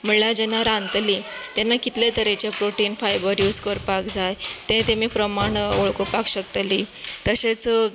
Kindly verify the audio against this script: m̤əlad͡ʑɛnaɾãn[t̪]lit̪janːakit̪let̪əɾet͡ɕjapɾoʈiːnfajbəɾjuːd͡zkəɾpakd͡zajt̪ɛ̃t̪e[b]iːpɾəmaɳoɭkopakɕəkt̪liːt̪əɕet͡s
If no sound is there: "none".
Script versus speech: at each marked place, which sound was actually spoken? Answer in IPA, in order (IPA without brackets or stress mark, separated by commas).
t̪, m